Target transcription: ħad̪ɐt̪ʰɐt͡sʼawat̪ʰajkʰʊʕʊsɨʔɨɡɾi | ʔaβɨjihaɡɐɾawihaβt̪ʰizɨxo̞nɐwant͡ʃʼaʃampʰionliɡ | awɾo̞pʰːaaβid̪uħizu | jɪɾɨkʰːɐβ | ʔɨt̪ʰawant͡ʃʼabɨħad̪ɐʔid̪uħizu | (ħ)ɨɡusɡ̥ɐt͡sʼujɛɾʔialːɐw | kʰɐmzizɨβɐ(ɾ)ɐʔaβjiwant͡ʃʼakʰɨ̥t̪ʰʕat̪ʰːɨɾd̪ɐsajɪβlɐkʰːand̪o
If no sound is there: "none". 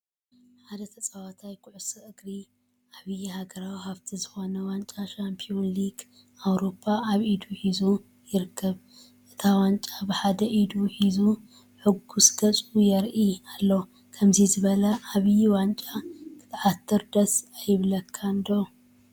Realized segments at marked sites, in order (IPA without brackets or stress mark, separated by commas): ħ, l